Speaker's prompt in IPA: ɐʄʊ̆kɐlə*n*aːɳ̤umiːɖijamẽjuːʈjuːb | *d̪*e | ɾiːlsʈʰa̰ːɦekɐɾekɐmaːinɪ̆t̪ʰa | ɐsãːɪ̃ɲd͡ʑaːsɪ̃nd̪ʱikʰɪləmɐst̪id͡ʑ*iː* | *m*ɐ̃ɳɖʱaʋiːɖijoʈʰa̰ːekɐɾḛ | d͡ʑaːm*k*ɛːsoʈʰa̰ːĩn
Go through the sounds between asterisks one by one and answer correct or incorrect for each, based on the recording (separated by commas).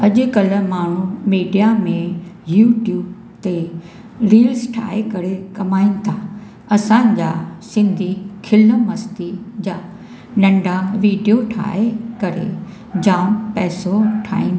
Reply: incorrect, incorrect, incorrect, incorrect, incorrect